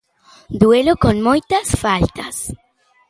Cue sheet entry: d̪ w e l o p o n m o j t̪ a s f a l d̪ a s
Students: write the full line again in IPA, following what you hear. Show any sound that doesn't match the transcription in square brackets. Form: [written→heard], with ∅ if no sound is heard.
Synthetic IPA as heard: d̪ w e l o [p→k] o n m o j t̪ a s f a l [d̪→t̪] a s